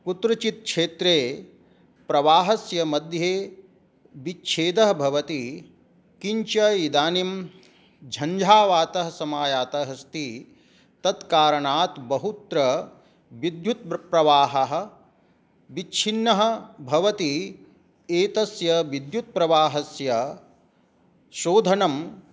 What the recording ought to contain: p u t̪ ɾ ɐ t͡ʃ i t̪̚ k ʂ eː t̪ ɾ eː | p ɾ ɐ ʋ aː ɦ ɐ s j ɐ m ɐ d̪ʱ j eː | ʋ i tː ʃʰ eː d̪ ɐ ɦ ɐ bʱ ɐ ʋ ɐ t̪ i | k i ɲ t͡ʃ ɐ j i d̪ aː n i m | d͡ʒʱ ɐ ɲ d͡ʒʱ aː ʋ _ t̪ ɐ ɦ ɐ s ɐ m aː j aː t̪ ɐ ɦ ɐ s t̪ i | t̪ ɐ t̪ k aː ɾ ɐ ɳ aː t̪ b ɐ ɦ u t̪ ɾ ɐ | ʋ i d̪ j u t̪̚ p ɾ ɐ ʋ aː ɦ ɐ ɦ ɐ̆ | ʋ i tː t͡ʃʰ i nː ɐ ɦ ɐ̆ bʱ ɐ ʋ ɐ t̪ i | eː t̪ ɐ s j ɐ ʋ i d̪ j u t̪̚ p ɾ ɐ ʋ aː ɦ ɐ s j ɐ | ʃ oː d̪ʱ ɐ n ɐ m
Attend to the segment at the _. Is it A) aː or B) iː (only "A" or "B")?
A